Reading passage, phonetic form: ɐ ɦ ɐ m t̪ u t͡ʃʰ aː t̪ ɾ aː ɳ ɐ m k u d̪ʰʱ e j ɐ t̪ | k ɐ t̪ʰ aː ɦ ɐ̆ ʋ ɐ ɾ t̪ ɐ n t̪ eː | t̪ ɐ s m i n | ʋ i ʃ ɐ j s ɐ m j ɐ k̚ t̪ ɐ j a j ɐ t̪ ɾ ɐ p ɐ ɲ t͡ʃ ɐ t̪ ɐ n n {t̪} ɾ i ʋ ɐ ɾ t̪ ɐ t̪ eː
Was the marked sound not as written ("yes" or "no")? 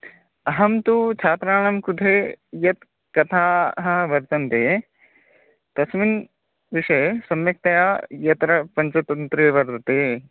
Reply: no